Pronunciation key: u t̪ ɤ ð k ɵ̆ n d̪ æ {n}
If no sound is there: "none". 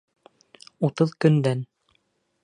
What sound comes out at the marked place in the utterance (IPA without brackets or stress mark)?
n